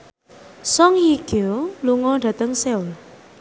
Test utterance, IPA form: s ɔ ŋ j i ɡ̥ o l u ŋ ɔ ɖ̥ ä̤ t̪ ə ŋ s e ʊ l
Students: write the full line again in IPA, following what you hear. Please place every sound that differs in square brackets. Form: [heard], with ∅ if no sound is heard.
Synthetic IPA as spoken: s ɔ ŋ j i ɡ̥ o l u ŋ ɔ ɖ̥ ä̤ t̪ ə ŋ s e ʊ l

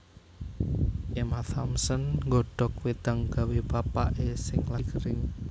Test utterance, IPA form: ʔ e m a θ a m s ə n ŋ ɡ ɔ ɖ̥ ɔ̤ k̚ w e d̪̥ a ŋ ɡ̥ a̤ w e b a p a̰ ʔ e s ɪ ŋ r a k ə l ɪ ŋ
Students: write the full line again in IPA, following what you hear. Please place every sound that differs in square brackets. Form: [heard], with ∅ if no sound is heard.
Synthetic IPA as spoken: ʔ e m a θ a m s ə n ŋ ɡ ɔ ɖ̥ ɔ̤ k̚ w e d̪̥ a ŋ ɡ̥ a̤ w e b a p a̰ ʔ e s ɪ ŋ [l] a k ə [ɾ] ɪ ŋ

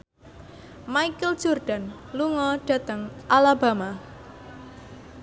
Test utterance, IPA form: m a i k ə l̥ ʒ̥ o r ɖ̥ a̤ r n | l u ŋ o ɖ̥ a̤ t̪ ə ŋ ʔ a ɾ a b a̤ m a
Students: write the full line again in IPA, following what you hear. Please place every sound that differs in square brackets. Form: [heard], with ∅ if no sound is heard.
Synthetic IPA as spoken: m a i k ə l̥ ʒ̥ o r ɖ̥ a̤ [∅] n | l u ŋ [ɔ] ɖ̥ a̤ t̪ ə ŋ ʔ a [l] a b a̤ m a

